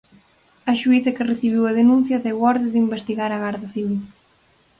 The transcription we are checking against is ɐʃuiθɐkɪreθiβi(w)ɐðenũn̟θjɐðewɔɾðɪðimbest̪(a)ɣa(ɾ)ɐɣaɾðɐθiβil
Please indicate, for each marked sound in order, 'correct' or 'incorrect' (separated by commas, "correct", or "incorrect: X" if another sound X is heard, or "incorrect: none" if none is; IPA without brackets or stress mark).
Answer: correct, incorrect: i, correct